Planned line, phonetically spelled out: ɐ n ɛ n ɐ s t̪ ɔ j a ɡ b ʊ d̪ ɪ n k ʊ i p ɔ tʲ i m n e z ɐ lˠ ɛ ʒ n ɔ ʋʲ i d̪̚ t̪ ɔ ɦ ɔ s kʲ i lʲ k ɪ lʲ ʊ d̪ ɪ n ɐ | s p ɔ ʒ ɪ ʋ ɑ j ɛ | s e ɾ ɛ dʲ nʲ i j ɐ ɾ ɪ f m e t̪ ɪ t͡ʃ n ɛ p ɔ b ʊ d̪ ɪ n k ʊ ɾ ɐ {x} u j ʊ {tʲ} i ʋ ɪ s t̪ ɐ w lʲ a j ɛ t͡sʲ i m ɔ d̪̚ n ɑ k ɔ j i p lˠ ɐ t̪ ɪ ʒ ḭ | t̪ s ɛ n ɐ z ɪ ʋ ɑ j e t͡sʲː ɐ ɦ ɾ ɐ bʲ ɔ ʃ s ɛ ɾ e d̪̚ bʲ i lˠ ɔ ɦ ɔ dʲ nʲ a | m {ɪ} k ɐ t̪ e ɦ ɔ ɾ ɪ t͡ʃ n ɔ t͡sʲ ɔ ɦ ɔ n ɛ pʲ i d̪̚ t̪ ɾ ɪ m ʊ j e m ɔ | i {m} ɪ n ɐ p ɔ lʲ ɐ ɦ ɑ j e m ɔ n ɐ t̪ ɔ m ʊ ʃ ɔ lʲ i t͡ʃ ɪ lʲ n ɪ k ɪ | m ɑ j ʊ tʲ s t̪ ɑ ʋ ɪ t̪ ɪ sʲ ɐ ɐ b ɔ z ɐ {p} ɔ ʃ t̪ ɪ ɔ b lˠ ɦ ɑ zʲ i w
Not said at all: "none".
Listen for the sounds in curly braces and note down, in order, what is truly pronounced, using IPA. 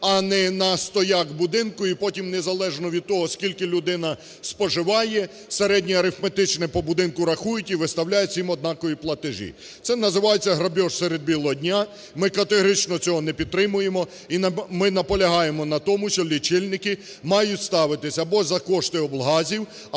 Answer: x, tʲ, ɪ, m, k

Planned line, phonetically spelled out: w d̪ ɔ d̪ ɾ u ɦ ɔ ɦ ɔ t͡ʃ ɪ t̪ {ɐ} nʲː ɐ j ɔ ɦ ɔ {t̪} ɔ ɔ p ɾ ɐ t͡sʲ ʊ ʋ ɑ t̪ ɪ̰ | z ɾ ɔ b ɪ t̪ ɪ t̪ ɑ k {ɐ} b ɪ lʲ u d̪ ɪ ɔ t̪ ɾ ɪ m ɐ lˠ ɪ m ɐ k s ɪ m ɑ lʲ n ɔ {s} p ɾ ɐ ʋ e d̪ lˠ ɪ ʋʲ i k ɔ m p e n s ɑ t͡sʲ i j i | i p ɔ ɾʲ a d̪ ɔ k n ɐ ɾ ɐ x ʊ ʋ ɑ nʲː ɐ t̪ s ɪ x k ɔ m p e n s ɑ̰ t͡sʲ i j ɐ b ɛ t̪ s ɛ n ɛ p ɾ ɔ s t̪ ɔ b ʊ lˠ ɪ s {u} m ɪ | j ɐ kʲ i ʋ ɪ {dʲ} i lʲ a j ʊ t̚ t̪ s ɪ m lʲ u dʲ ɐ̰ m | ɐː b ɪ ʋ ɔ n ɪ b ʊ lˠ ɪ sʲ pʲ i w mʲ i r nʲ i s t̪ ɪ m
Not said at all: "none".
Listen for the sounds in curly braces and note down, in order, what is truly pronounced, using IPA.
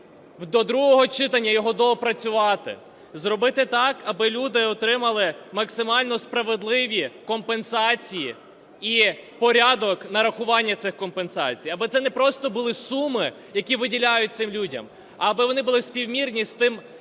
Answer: ɐ, d̪, ɐ, s, u, dʲ

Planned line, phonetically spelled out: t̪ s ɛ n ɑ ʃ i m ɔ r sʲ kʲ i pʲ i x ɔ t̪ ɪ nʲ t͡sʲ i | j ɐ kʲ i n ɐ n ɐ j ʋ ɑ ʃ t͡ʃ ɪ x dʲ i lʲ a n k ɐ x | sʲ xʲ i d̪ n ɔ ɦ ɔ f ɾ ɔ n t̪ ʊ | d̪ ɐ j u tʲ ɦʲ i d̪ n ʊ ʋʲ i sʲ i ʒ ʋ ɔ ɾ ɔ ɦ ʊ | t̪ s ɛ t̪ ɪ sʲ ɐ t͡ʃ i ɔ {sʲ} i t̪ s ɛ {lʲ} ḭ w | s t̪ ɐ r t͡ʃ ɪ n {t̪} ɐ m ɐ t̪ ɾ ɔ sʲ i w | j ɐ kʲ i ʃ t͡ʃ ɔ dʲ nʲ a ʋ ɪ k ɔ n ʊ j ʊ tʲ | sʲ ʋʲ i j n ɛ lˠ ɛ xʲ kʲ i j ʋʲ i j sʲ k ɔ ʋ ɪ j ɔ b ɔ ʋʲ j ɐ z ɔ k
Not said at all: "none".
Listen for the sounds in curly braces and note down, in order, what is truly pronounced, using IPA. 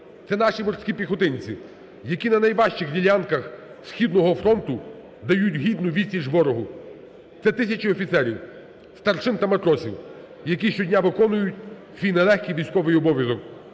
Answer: fʲ, ɾʲ, t̪

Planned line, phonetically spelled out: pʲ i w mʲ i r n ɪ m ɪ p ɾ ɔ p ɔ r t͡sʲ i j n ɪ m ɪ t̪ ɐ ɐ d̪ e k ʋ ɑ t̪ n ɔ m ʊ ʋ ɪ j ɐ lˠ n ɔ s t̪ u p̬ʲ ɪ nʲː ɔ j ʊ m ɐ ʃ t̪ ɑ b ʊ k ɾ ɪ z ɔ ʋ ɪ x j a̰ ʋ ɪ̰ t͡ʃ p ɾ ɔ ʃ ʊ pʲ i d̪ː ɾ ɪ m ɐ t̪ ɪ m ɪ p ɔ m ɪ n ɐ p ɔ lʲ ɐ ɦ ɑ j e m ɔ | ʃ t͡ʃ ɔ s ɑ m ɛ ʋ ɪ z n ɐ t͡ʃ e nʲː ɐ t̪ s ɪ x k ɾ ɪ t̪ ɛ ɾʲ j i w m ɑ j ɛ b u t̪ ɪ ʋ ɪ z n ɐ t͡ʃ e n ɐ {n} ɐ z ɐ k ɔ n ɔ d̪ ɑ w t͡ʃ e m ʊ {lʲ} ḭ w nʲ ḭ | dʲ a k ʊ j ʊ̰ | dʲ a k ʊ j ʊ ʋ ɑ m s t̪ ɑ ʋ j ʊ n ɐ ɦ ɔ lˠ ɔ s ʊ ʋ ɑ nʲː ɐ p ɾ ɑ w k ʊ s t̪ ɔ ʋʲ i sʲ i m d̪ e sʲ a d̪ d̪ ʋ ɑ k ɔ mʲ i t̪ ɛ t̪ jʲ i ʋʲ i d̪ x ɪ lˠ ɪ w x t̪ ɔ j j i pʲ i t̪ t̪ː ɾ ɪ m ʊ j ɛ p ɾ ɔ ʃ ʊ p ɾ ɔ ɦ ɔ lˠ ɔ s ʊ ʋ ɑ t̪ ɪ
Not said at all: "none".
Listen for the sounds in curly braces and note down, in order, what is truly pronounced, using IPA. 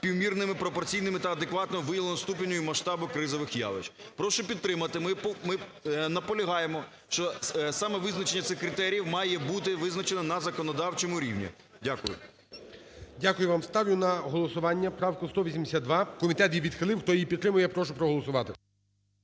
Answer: n, ɾʲ

